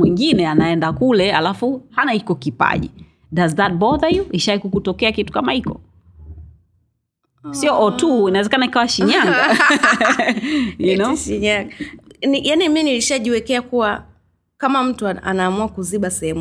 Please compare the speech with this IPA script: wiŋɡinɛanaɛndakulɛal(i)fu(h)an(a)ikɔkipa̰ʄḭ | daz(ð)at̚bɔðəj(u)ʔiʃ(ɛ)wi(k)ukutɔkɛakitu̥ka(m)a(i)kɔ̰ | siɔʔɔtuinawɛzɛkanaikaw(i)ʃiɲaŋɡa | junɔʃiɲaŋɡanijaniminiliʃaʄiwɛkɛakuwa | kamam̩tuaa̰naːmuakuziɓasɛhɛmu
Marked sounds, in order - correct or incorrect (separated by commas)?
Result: incorrect, correct, correct, correct, correct, incorrect, correct, correct, correct, incorrect